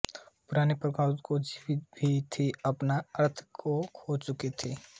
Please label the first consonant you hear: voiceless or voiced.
voiceless